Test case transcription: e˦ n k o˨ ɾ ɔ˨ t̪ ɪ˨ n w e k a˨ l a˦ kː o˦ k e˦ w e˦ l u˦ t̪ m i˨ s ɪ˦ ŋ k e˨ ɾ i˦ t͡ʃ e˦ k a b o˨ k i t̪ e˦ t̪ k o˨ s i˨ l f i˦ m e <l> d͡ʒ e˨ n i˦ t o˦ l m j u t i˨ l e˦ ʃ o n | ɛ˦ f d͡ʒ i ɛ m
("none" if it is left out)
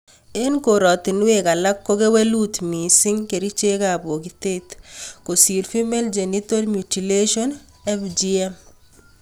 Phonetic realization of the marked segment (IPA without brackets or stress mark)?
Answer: l